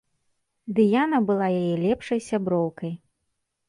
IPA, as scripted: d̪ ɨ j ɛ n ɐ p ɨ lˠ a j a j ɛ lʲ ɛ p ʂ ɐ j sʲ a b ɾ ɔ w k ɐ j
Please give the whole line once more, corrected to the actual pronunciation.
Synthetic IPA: d̪ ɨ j a n ɐ b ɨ lˠ a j a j ɛ lʲ ɛ p ʂ ɐ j sʲ a b ɾ ɔ w k ɐ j